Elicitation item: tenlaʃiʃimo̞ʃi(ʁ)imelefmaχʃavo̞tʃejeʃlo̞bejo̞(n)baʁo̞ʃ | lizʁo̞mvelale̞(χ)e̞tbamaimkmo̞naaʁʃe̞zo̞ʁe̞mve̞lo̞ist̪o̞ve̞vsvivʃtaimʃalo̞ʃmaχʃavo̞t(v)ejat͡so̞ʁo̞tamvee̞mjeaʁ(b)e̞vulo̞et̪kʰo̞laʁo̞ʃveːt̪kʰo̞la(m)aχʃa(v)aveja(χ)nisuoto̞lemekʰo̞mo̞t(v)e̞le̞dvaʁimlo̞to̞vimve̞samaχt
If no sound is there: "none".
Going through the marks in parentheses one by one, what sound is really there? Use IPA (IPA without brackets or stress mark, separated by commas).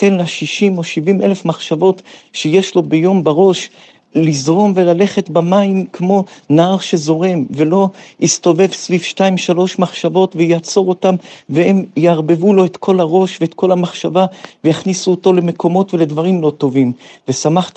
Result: v, m, χ, v, b, m, v, χ, v